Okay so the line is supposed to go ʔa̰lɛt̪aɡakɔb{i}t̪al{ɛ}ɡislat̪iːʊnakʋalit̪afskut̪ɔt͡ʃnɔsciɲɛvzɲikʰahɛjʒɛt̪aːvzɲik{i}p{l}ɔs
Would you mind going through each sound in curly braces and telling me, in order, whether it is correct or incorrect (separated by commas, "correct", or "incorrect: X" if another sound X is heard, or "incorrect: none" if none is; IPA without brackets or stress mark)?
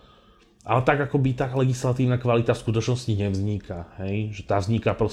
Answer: correct, correct, incorrect: a, incorrect: ɾ